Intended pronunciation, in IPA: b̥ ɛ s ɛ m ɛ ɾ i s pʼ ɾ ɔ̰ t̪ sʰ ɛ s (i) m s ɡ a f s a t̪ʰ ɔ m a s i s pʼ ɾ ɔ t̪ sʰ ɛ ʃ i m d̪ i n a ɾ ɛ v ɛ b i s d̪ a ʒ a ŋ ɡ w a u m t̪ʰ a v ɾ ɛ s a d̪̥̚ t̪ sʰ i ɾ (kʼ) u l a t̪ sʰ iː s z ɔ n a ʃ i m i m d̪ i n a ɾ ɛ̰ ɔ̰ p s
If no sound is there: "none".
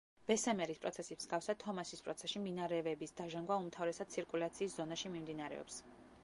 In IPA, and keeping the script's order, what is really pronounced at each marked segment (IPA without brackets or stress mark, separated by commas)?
i, kʼ